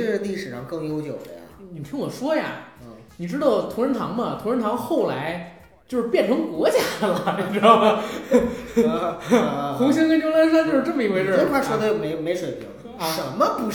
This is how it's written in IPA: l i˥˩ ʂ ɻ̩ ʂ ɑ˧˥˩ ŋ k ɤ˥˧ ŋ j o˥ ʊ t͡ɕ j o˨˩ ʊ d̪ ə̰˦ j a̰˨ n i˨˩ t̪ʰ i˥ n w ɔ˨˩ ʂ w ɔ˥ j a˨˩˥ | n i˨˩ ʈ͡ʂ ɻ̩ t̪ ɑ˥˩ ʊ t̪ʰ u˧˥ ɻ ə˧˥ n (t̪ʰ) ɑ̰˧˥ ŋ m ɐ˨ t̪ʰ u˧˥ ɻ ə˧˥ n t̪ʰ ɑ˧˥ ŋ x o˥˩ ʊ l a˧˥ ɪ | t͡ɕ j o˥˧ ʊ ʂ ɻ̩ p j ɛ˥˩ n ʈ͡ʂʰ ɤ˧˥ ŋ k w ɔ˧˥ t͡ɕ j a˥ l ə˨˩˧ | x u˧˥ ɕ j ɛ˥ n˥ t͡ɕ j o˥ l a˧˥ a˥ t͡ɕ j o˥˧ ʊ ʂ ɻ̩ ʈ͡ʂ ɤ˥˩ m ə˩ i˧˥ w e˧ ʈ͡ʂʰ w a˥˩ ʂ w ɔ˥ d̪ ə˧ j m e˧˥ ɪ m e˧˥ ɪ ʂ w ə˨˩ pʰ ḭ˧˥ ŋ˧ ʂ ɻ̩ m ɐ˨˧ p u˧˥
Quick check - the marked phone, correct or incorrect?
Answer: correct